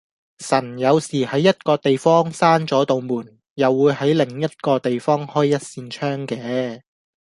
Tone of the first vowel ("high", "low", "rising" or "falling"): low